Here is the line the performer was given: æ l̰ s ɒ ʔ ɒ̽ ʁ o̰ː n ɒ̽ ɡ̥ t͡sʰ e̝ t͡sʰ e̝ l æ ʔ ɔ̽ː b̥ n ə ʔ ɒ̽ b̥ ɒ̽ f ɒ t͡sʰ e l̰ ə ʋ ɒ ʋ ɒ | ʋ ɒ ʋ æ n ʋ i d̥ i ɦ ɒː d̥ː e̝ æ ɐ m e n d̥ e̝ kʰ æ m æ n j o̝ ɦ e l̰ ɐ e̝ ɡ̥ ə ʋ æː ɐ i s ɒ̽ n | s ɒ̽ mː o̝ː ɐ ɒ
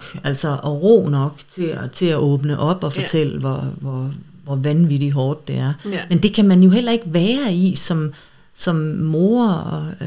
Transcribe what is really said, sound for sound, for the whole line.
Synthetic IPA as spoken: æ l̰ s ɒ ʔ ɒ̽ ʁ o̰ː n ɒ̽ ɡ̥ t͡sʰ e̝ t͡sʰ e̝ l æ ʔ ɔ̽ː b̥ n ə ʔ ɒ̽ b̥ ɒ̽ f ɒ t͡sʰ e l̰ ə ʋ ɒ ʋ ɒ | ʋ ɒ ʋ æ n ʋ i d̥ i ɦ ɒː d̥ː e̝ æ ɐ m e n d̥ e̝ kʰ æ m æ n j o̝ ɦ e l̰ ɐ e̝ ɡ̥ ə ʋ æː ɐ i s ɒ̽ m | s ɒ̽ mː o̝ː ɐ ɒ